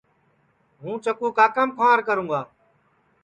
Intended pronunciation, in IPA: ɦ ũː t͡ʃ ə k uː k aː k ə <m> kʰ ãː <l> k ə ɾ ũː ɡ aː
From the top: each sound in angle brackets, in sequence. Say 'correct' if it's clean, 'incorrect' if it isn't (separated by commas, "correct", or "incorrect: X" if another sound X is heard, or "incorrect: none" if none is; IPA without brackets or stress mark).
correct, incorrect: ɾ